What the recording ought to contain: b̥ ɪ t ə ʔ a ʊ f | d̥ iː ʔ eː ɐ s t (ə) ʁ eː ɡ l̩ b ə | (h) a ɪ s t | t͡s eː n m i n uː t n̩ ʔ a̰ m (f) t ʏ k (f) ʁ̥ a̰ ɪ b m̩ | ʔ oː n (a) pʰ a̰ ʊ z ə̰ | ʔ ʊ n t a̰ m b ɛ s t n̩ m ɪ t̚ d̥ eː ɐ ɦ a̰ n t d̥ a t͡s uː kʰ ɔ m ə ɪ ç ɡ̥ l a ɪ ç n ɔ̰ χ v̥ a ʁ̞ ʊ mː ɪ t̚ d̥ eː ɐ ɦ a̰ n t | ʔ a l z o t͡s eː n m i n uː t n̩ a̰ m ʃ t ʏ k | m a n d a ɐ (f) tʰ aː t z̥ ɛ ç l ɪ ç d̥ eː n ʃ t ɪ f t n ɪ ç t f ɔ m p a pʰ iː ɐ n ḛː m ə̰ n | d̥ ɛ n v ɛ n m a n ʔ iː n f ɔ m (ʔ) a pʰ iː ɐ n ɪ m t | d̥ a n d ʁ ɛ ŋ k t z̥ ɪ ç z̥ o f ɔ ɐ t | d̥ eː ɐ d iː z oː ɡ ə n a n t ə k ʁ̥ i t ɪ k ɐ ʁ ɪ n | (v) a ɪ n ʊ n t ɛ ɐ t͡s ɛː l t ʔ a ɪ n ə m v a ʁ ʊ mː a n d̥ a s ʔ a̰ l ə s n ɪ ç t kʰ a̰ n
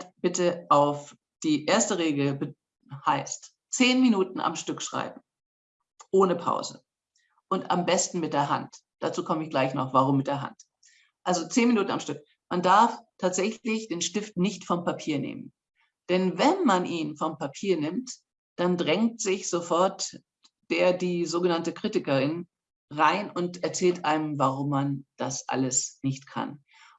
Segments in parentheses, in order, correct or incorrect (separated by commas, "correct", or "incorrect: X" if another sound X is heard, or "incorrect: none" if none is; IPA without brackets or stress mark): correct, correct, incorrect: ʃ, incorrect: ʃ, incorrect: ə, correct, incorrect: p, incorrect: ʁ